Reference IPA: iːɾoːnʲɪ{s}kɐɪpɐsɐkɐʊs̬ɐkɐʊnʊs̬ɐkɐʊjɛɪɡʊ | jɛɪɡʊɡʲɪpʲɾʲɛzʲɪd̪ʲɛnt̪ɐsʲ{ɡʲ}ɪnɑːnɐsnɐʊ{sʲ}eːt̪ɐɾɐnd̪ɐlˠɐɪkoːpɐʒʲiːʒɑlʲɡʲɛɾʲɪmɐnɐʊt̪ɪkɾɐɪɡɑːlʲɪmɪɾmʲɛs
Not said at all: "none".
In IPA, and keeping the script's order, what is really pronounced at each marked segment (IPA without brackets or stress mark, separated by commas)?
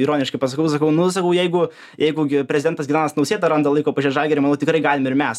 ʃ, ɡʲ, sʲ